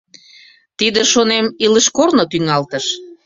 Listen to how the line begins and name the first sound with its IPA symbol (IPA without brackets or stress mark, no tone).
t̪